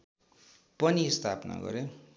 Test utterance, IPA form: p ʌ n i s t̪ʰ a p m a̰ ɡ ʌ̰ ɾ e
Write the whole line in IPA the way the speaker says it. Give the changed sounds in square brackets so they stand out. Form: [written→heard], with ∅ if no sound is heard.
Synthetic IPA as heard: p ʌ n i s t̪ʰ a p [m→n] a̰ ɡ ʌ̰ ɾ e